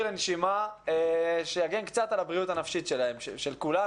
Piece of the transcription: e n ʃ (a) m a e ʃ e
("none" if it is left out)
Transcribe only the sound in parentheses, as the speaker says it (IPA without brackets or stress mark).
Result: i